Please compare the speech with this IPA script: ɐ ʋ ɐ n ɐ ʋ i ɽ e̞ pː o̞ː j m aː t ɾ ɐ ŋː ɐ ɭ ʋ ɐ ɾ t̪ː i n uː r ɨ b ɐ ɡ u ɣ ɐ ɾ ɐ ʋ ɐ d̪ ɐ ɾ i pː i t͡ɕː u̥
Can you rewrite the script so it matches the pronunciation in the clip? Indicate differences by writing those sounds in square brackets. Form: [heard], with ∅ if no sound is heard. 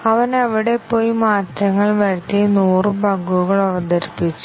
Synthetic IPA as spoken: ɐ ʋ ɐ n ɐ ʋ i ɽ e̞ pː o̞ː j m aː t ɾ ɐ ŋː ɐ ɭ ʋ ɐ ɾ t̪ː i n uː r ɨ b ɐ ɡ u ɣ ɐ [ɭ] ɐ ʋ ɐ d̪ ɐ ɾ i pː i t͡ɕː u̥